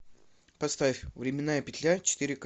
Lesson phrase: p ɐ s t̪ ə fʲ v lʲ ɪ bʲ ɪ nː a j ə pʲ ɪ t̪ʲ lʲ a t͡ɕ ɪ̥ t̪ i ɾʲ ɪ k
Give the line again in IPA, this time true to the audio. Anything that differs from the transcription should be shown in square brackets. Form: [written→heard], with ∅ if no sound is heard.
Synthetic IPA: p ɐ s t̪ [ə→a] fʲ v [lʲ→ɾʲ] ɪ [bʲ→mʲ] ɪ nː a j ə pʲ ɪ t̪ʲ lʲ a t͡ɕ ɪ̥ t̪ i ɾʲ ɪ k